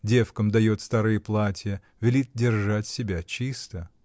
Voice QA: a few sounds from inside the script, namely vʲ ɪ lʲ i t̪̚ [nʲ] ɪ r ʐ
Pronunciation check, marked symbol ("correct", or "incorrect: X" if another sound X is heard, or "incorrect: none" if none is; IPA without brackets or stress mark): incorrect: dʲ